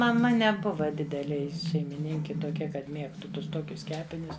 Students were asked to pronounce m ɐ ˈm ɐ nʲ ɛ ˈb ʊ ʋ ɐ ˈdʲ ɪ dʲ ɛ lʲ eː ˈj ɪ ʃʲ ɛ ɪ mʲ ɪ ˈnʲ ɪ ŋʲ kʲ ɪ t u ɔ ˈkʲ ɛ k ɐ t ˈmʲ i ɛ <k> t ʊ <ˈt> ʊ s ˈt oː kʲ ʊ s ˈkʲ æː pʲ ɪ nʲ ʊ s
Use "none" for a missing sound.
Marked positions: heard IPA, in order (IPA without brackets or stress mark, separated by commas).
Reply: k, t